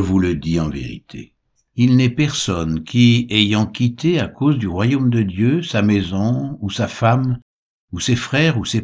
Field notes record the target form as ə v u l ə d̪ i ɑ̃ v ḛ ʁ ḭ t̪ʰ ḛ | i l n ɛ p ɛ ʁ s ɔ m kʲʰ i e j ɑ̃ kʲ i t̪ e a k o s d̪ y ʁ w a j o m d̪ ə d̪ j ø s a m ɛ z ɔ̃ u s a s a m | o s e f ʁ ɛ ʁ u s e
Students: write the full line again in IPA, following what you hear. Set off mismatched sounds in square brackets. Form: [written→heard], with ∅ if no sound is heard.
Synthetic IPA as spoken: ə v u l ə d̪ i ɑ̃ v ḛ ʁ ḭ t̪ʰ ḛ | i l n ɛ p ɛ ʁ s ɔ [m→n] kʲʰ i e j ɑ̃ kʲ i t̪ e a k o [s→z] d̪ y ʁ w a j o m d̪ ə d̪ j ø s a m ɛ z ɔ̃ u s a [s→f] a m | [o→u] s e f [ʁ→χ] ɛ ʁ u s e